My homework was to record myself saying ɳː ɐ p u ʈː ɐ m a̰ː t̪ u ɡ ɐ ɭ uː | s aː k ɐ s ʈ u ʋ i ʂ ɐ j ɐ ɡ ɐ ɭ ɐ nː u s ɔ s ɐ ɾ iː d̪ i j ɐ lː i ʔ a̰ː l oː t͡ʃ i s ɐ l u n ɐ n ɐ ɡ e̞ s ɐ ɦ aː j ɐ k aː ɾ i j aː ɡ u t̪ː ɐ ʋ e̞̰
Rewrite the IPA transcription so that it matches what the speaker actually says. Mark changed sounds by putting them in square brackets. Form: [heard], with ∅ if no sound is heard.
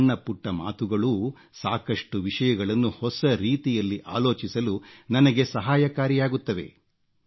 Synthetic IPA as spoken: ɳː ɐ p u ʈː ɐ m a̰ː t̪ u ɡ ɐ ɭ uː | s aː k ɐ [ʂ] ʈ u ʋ i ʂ ɐ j ɐ ɡ ɐ ɭ ɐ nː u [h] ɔ s ɐ ɾ iː [t̪] i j ɐ lː i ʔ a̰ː l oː t͡ʃ i s ɐ l u n ɐ n ɐ ɡ e̞ s ɐ ɦ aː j ɐ k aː ɾ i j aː ɡ u t̪ː ɐ ʋ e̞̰